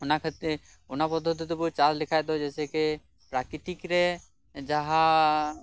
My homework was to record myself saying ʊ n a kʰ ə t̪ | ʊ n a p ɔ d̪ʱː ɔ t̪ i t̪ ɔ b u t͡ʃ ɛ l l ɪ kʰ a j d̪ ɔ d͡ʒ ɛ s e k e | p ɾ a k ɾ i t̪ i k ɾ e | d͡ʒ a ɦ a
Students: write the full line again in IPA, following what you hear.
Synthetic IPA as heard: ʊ n a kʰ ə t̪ | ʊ n a p ɔ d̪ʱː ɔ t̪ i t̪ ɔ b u t͡ʃ a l l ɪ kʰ a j d̪ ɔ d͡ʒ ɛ s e k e | p ɾ a k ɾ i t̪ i k ɾ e | d͡ʒ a ɦ a